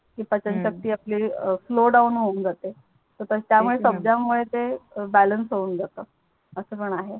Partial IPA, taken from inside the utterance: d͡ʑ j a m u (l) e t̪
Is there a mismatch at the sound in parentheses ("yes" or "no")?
yes